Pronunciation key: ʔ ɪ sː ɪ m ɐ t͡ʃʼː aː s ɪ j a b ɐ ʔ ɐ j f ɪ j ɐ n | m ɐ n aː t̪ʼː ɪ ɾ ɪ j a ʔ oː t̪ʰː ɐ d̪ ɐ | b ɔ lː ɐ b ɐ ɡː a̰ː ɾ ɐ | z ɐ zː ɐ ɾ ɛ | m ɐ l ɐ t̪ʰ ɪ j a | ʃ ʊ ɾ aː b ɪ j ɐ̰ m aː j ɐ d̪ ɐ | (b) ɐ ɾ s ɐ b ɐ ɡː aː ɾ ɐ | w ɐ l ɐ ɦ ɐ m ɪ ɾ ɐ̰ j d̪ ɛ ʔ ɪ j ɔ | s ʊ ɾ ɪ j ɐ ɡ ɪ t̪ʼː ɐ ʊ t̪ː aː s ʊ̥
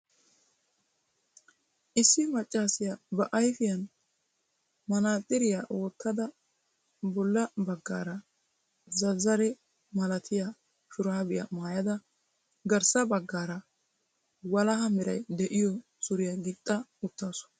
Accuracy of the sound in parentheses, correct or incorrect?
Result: incorrect